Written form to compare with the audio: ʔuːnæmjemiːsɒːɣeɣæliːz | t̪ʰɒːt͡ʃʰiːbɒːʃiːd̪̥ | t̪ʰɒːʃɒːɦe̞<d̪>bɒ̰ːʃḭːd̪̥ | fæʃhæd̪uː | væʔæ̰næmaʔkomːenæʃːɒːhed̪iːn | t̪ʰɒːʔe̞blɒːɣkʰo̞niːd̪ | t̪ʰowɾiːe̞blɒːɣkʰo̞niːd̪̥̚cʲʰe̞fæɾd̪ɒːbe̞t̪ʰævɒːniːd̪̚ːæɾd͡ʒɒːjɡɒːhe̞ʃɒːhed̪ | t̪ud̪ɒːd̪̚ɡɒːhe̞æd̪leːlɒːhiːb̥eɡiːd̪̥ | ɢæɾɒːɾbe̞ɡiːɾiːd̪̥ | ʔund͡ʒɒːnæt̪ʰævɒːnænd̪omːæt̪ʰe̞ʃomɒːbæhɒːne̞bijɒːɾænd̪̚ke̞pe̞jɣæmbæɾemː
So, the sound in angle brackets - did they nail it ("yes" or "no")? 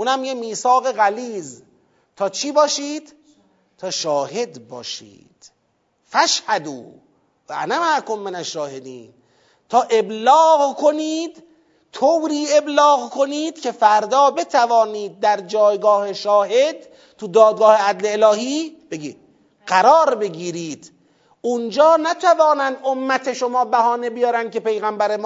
yes